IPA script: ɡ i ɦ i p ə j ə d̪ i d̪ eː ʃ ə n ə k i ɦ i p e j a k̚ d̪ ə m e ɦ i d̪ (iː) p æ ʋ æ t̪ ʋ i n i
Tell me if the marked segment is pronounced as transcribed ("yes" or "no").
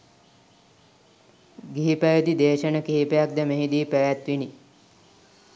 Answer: yes